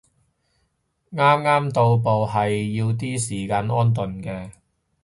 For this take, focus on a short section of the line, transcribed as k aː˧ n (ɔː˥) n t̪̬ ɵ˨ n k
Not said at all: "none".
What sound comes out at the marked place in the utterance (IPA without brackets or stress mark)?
ɔː˥